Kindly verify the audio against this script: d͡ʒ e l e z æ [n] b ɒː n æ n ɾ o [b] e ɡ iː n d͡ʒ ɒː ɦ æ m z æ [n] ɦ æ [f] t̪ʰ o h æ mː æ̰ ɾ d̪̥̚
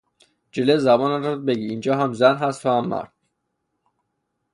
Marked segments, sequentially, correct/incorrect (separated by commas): incorrect, correct, correct, incorrect